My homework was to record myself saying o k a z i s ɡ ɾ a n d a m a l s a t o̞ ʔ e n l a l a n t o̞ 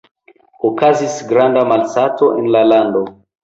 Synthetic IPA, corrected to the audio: o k a z i s ɡ ɾ a n d a m a l s a t o̞ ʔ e n l a l a n d o̞